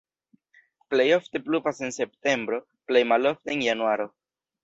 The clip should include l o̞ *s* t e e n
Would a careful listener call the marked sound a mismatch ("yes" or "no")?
yes